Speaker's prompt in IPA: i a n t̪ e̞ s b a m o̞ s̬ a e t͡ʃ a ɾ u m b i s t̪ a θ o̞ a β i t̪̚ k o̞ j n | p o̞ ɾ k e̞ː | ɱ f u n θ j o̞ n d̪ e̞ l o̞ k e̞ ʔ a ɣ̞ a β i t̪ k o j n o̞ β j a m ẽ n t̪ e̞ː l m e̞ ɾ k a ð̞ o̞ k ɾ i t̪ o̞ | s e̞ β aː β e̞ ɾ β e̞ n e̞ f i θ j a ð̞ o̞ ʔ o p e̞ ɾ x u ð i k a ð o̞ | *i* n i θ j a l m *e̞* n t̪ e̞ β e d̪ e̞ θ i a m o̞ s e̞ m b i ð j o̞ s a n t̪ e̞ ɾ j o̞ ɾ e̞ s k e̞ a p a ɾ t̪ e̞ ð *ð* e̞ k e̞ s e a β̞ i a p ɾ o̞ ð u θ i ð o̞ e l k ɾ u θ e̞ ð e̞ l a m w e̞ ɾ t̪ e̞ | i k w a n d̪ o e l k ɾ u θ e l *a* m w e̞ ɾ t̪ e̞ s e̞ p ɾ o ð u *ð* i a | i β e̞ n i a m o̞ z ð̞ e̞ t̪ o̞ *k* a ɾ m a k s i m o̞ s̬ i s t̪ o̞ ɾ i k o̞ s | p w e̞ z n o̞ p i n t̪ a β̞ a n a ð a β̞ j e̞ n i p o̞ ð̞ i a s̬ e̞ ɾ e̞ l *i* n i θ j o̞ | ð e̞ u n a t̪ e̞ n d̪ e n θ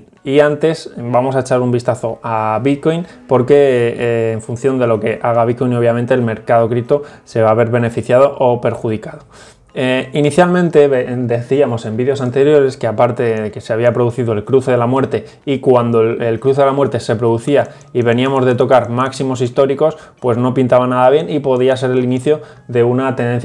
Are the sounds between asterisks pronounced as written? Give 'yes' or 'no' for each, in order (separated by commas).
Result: yes, no, yes, yes, no, yes, yes